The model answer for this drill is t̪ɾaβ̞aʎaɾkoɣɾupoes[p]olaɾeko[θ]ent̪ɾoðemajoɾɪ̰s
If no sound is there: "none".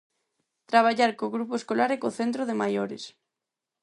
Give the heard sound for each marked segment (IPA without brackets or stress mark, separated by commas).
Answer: k, θ